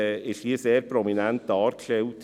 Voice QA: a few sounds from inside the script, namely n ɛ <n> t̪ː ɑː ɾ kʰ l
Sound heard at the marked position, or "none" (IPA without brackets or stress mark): n